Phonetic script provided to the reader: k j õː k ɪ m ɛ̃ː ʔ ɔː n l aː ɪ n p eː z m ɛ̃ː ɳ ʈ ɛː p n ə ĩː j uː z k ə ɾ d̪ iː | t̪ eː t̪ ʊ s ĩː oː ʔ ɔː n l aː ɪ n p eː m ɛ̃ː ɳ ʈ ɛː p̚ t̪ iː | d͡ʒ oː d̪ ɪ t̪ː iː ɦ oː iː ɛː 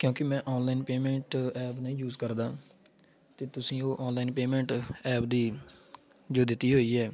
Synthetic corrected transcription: k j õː k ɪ m ɛ̃ː ʔ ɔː n l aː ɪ n p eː m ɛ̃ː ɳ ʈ ɛː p n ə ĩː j uː z k ə ɾ d̪ aː | t̪ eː t̪ ʊ s ĩː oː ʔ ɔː n l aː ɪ n p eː m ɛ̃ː ɳ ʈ ɛː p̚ d̪ iː | d͡ʒ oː d̪ ɪ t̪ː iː ɦ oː iː ɛː